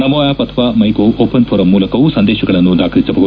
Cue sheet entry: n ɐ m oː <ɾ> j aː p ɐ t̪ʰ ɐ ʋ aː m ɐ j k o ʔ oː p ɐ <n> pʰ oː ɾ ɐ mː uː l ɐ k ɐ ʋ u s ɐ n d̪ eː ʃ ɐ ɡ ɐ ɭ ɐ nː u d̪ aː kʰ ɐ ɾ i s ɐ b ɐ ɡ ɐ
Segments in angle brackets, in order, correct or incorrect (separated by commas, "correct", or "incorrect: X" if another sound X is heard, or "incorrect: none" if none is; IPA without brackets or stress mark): incorrect: none, correct